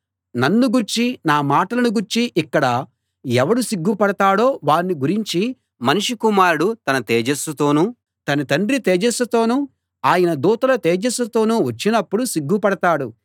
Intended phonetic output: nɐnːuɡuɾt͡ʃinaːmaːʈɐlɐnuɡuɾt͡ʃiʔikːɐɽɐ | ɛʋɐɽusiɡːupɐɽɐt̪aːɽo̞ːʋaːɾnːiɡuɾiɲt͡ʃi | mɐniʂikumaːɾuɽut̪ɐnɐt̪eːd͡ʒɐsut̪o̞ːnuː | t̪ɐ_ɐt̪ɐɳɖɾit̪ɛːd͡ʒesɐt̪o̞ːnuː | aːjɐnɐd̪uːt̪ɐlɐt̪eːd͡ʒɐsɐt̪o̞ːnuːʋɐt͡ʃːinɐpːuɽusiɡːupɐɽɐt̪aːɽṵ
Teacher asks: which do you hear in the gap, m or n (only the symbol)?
n